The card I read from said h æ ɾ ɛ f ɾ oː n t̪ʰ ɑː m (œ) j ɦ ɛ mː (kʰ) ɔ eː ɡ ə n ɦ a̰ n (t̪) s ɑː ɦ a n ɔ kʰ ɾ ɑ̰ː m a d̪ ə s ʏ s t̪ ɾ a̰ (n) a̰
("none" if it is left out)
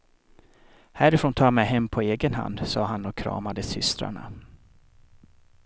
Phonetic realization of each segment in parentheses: ɛ, pʰ, d̪, ɳ

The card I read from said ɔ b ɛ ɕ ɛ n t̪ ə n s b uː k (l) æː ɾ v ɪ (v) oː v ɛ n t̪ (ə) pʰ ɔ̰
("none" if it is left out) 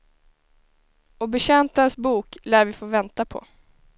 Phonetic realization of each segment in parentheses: l, f, a

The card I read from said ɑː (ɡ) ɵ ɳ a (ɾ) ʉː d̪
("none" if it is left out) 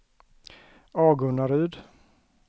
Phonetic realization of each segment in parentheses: ɡ, ɾ

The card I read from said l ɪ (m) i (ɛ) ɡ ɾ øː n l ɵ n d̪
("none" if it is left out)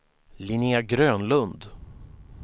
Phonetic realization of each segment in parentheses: n, a

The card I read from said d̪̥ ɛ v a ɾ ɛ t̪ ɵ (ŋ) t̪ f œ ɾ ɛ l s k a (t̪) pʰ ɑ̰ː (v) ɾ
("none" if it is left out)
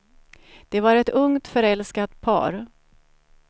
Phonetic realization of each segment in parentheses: ŋ, t̪, none

